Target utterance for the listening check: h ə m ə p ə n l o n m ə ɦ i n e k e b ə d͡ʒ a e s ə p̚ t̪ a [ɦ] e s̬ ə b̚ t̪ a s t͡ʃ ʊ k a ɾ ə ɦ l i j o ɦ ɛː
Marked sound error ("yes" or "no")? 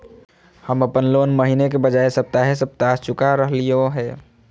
no